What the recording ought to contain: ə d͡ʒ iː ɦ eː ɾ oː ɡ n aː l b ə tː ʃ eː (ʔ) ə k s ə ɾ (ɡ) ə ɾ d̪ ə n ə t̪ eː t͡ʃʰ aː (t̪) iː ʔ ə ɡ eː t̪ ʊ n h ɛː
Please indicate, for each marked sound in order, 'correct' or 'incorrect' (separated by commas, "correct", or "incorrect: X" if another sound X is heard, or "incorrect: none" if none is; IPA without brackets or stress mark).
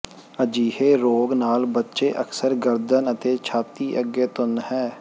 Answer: correct, correct, correct